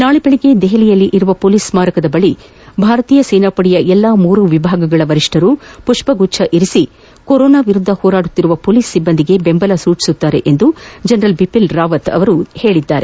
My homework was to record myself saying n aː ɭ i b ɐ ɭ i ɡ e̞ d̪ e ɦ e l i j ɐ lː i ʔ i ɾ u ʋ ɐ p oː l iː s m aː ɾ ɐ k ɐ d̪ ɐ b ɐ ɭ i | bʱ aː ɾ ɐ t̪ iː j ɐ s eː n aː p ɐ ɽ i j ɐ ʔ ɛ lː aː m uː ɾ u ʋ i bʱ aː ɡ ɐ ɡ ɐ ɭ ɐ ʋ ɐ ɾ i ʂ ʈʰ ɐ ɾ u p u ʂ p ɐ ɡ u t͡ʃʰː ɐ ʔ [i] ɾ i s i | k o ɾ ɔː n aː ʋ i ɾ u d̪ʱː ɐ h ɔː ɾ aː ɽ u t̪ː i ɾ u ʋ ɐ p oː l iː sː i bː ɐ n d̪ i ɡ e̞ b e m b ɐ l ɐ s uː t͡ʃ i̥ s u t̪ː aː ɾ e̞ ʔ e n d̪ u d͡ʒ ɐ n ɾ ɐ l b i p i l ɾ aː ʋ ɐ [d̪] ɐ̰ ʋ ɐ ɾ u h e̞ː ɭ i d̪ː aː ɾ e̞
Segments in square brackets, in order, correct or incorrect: correct, incorrect: t̪

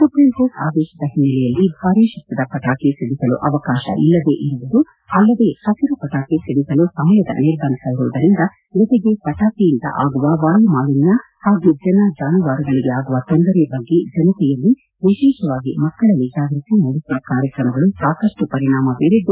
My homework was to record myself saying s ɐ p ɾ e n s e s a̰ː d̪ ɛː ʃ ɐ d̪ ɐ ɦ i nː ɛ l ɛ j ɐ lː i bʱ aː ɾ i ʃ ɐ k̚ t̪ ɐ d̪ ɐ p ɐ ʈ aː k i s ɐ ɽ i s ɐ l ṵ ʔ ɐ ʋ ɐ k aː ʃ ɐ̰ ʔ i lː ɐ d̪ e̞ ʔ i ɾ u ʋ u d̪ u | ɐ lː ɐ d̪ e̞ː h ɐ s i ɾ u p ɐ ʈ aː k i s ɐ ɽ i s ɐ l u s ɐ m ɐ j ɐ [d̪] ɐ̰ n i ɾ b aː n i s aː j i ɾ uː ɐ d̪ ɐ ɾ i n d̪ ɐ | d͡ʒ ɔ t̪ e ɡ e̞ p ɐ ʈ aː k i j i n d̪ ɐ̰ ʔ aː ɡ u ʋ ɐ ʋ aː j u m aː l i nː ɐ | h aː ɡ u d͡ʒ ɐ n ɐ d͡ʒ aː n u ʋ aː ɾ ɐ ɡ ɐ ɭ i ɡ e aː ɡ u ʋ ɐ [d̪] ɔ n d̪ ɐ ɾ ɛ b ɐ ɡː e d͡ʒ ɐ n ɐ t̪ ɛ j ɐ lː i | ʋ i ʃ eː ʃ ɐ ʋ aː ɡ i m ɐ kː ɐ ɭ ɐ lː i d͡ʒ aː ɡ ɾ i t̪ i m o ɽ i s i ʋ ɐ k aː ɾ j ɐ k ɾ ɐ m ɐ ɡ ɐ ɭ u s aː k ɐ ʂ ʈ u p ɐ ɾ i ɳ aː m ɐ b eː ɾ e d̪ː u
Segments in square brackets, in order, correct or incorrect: correct, incorrect: t̪

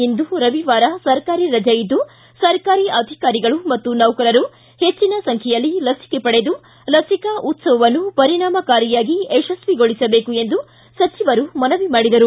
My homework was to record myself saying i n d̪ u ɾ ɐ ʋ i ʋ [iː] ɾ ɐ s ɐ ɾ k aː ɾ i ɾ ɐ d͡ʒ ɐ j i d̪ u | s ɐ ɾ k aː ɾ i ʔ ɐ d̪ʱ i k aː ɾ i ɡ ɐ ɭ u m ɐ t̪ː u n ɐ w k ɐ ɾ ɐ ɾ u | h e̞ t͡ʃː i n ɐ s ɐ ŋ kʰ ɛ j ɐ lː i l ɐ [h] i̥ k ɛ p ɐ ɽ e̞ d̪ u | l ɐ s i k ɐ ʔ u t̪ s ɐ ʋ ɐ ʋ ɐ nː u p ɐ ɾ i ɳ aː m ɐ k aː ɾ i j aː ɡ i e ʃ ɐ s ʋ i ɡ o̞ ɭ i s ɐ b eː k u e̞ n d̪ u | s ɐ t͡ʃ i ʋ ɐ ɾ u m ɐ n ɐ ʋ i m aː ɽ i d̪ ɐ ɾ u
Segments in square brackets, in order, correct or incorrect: incorrect: aː, incorrect: s

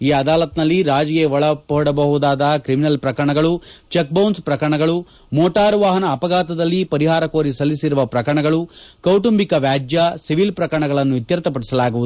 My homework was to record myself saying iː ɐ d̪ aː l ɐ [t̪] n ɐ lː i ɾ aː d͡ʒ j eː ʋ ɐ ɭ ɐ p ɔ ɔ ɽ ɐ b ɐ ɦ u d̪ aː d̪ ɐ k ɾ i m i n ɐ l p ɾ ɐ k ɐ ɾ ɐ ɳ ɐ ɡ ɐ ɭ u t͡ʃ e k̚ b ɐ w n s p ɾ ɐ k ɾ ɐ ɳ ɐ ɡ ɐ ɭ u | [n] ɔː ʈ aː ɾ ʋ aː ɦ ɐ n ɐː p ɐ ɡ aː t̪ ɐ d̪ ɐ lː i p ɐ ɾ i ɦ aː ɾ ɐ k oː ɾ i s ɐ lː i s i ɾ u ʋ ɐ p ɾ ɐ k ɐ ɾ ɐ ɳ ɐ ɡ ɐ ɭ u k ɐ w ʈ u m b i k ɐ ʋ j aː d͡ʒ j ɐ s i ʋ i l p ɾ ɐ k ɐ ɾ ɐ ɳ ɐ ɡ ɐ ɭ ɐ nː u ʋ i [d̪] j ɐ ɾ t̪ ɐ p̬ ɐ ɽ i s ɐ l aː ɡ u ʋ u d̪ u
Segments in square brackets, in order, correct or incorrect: correct, incorrect: m, incorrect: t̪

